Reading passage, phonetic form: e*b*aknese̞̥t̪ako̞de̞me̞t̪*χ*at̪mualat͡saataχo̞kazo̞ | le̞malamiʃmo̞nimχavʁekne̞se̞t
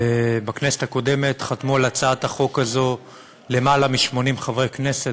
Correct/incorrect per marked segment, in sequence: correct, correct

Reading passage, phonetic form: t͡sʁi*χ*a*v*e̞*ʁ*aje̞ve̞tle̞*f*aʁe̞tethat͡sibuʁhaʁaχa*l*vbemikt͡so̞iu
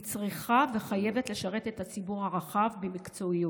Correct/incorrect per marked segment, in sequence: correct, correct, incorrect, incorrect, incorrect

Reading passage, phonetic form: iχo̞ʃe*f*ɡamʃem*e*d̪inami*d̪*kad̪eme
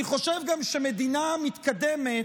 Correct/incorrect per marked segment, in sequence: incorrect, correct, incorrect

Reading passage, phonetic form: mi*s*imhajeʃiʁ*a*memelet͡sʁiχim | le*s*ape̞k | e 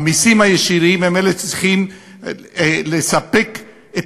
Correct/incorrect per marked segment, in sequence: correct, incorrect, correct

